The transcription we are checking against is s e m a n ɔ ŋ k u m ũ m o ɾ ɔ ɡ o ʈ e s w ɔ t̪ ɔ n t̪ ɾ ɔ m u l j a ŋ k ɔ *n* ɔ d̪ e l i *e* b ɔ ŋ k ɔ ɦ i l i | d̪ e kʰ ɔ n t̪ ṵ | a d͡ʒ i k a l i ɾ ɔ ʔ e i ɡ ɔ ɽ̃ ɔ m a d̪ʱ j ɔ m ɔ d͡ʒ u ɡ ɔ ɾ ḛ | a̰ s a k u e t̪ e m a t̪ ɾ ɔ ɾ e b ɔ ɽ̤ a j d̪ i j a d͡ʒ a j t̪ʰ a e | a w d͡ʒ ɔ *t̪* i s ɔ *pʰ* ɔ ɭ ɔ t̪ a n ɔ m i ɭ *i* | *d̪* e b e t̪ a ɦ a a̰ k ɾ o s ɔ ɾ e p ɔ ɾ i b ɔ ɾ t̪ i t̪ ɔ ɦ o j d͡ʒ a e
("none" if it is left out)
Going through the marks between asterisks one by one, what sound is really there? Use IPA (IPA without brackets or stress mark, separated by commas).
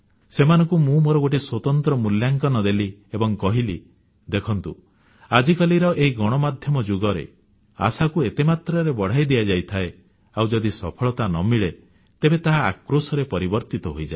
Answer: n, e, d̪, pʰ, e, t̪